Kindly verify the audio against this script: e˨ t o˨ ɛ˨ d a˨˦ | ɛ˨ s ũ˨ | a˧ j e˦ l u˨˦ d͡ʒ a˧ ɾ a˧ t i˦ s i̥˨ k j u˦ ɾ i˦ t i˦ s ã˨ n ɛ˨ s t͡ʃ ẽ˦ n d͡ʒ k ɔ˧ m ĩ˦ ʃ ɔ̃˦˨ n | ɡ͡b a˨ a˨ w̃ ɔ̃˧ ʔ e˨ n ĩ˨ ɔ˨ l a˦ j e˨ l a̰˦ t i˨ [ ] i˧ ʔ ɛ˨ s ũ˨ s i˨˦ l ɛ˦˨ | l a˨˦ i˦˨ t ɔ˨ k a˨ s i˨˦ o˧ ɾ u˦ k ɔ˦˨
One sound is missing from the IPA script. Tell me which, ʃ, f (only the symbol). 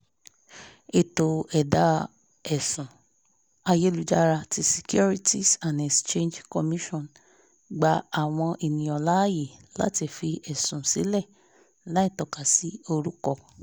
f